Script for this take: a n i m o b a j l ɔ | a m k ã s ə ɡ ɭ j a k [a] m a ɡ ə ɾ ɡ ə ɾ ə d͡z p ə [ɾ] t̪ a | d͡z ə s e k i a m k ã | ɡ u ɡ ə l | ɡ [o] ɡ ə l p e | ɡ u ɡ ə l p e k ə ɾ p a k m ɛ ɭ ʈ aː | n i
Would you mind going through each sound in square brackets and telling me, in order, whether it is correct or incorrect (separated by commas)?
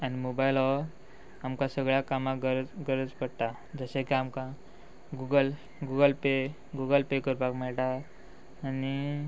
correct, incorrect, incorrect